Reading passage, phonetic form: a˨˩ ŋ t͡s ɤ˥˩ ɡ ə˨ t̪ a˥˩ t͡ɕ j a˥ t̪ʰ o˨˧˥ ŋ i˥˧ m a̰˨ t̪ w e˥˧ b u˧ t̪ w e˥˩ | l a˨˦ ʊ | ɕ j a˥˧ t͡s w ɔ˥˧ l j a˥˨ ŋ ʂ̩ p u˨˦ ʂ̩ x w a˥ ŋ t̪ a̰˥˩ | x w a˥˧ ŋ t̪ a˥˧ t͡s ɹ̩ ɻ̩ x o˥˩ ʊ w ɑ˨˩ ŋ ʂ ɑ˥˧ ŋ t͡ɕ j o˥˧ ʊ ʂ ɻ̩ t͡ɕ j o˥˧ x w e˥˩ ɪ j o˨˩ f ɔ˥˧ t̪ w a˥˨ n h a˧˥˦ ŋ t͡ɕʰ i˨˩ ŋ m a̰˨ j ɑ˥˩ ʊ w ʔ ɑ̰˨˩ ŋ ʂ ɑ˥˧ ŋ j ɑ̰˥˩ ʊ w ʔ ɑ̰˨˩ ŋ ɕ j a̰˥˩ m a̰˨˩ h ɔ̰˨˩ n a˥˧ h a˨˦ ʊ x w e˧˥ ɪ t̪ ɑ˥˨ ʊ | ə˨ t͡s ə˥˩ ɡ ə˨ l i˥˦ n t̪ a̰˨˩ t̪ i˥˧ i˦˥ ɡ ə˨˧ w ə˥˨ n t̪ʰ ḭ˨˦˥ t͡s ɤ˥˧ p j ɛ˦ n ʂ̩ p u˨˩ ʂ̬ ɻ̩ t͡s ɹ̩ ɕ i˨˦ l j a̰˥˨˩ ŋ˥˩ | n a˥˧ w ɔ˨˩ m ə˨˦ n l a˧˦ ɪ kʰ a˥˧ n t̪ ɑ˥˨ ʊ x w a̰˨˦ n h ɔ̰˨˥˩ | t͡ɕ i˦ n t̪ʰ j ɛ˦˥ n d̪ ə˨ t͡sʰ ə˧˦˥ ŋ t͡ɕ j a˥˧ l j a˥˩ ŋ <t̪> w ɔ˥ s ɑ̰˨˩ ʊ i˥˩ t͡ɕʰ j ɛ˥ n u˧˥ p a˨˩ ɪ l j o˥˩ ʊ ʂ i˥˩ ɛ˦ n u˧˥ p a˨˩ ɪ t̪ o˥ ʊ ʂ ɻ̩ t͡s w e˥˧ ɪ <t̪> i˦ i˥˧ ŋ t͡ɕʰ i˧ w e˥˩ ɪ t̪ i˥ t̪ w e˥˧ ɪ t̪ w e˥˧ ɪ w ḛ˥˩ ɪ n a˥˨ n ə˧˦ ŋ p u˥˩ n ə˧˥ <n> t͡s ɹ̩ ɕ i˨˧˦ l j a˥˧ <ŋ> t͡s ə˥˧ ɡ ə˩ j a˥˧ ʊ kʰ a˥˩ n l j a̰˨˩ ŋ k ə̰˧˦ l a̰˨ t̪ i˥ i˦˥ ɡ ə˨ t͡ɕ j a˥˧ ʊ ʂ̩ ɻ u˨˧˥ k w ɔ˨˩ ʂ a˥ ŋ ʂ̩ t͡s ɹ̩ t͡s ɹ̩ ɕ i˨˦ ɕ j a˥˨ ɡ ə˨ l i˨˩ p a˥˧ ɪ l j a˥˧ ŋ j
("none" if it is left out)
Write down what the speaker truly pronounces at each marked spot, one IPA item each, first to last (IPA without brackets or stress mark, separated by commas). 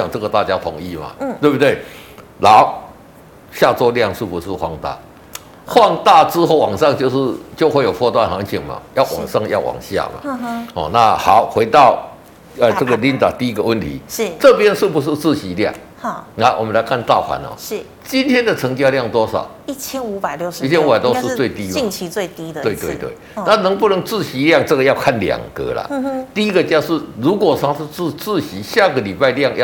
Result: t̪, t̪, ŋ, ŋ